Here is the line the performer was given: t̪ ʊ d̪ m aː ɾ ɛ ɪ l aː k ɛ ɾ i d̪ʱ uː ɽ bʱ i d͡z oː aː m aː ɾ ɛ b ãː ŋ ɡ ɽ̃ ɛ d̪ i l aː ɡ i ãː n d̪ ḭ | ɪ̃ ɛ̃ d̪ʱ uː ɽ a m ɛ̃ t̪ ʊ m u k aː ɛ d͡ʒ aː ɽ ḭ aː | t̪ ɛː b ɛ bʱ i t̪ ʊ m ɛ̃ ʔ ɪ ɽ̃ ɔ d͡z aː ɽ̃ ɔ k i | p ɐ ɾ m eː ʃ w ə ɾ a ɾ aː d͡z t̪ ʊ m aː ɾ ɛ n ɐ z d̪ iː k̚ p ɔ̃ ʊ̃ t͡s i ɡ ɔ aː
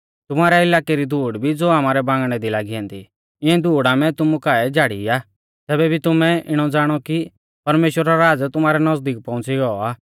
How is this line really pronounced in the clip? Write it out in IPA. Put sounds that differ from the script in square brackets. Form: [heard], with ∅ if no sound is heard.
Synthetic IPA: t̪ ʊ [∅] m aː ɾ ɛ ɪ l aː k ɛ ɾ i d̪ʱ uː ɽ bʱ i d͡z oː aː m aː ɾ ɛ b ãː ŋ ɡ ɽ̃ ɛ d̪ i l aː ɡ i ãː n d̪ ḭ | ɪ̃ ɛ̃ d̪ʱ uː ɽ a m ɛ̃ t̪ ʊ m u k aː ɛ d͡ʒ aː ɽ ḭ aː | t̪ ɛː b ɛ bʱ i t̪ ʊ m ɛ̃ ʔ ɪ ɽ̃ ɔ d͡z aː ɽ̃ ɔ k i | p ɐ ɾ m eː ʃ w ə ɾ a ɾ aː d͡z t̪ ʊ m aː ɾ ɛ n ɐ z d̪ iː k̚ p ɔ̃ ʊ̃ t͡s i ɡ ɔ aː